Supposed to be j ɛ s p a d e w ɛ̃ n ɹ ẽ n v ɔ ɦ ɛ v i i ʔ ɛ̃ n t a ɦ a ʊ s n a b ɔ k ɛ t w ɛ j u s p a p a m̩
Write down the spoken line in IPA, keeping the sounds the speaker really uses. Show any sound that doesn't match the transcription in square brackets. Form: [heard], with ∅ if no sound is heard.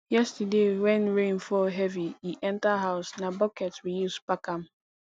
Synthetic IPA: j ɛ s [t] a d e w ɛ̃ n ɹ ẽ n [f] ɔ ɦ ɛ v i i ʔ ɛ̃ n t a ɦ a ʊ s n a b ɔ k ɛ t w [i] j u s p a [k] a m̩